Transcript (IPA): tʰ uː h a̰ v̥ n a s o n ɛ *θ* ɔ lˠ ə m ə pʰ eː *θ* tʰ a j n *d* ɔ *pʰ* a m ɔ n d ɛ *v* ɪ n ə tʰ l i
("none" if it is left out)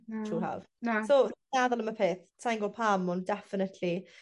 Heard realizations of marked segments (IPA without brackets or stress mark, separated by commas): ð, θ, ɡ, pʰ, f